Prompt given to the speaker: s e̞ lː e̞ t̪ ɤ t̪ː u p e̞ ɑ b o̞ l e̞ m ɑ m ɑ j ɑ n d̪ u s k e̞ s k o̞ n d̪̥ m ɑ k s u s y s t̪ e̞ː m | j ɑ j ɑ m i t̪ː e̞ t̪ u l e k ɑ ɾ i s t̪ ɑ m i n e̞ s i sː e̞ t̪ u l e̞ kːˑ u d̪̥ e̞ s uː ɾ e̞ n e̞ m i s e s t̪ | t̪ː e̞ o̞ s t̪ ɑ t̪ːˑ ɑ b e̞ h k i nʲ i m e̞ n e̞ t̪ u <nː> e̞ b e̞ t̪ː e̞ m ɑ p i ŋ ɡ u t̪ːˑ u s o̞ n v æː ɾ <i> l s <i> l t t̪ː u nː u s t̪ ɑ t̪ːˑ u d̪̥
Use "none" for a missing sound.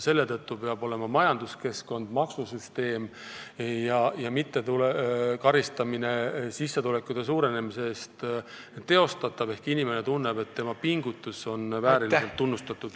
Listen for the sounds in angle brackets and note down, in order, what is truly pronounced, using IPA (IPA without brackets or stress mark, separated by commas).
nː, i, e